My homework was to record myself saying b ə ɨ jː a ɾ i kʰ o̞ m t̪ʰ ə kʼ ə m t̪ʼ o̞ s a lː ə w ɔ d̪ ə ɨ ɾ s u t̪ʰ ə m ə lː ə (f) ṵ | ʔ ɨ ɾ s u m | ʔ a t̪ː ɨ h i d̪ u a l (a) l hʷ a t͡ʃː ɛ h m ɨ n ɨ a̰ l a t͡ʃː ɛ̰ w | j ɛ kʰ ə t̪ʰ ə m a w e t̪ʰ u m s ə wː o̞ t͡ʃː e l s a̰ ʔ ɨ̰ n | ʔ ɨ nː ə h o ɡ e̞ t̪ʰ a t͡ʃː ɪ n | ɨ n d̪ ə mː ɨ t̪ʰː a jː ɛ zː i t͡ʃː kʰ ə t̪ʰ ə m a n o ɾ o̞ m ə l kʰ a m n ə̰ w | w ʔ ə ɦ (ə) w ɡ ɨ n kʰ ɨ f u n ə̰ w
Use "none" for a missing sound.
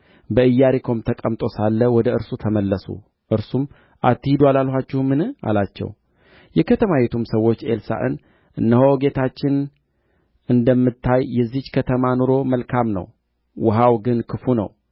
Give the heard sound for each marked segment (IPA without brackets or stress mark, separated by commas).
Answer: s, a, a